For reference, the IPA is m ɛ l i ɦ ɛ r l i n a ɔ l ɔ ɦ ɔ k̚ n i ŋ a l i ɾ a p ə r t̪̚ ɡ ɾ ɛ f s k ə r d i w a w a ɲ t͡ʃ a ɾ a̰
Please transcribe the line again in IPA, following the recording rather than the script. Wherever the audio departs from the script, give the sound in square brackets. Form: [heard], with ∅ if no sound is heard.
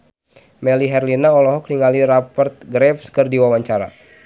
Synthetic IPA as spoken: m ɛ l i ɦ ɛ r l i n a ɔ l ɔ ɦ ɔ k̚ n i ŋ a l i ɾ a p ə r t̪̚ ɡ ɾ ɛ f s k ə r d i w a w a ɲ t͡ʃ a ɾ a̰